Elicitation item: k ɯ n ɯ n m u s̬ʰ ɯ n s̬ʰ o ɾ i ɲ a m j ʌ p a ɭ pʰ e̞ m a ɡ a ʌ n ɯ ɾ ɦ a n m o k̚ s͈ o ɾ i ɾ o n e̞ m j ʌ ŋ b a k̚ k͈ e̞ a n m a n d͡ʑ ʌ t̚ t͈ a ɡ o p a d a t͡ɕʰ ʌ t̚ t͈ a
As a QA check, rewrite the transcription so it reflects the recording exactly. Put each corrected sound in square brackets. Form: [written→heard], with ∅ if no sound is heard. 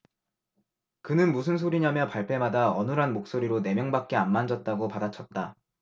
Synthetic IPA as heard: k ɯ n ɯ n m u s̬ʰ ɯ n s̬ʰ o ɾ i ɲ a m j ʌ p a ɭ pʰ e̞ m a [ɡ→d] a ʌ n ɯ ɾ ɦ a n m o k̚ s͈ o ɾ i ɾ o n e̞ m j ʌ ŋ b a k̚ k͈ e̞ a n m a n d͡ʑ ʌ t̚ t͈ a ɡ o p a d a t͡ɕʰ ʌ t̚ t͈ a